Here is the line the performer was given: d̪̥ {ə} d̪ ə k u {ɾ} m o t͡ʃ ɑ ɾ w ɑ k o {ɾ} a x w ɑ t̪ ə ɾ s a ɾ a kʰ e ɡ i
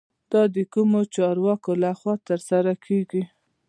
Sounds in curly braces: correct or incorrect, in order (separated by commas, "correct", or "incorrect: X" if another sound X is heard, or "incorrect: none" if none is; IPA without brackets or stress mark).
incorrect: ɑ, incorrect: none, incorrect: l